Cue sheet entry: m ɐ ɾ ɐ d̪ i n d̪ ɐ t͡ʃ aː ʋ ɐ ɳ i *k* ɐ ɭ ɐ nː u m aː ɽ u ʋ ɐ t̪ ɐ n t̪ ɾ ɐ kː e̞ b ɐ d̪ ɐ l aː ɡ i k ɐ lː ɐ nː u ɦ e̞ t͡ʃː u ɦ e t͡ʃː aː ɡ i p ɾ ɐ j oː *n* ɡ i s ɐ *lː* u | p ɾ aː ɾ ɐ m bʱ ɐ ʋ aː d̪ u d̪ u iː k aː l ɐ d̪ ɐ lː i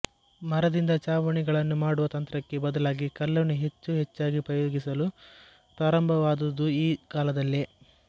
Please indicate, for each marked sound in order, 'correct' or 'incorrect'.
incorrect: ɡ, incorrect: none, incorrect: l

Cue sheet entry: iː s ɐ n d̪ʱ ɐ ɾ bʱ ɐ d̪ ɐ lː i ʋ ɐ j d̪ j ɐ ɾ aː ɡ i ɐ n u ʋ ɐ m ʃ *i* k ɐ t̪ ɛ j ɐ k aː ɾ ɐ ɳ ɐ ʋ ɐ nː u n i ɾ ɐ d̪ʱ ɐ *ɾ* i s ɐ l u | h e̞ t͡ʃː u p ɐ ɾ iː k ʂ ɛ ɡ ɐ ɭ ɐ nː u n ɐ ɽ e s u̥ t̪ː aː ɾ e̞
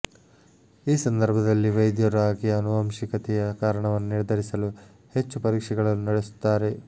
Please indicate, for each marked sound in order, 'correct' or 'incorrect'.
correct, correct

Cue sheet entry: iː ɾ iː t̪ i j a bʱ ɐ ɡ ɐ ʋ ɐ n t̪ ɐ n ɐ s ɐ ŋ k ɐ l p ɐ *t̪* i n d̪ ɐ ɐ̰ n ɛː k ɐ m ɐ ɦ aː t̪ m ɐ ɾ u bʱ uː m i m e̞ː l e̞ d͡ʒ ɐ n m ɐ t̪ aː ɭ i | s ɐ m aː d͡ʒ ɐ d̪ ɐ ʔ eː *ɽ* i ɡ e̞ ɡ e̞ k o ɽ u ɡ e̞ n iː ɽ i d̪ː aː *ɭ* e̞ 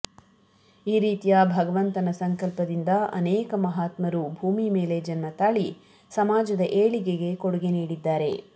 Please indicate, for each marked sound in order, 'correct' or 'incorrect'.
incorrect: d̪, incorrect: ɭ, incorrect: ɾ

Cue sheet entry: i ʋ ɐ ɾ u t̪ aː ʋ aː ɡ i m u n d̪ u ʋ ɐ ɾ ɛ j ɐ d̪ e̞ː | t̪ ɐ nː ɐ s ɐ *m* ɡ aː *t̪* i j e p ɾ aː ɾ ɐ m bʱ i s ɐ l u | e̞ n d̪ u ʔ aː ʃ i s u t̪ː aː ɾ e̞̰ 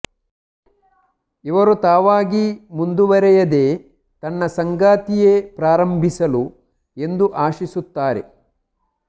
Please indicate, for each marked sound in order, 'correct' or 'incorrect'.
incorrect: ŋ, correct

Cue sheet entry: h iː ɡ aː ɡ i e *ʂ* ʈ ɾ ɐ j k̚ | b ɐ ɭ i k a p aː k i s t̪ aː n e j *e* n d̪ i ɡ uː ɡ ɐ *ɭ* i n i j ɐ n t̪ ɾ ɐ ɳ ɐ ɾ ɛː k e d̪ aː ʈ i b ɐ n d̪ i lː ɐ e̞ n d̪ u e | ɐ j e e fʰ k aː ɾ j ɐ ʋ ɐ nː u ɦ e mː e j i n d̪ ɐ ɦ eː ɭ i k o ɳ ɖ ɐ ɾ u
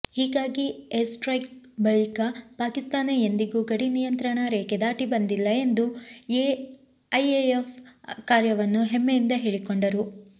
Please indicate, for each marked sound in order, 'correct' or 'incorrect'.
incorrect: s, correct, incorrect: ɽ

